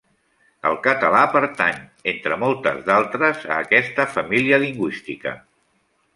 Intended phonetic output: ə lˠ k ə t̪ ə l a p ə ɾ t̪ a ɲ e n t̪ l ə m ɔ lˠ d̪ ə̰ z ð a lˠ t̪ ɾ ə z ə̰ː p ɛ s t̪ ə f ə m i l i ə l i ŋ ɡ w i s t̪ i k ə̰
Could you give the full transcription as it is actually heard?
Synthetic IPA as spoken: ə lˠ k ə t̪ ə l a p ə ɾ t̪ a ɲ e n t̪ ɾ ə m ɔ lˠ t̪ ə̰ z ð a lˠ t̪ ɾ ə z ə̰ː k ɛ s t̪ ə f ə m i l i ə l i ŋ ɡ w i s t̪ i k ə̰